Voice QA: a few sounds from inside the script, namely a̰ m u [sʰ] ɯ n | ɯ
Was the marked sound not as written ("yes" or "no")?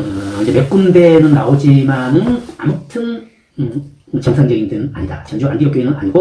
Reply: yes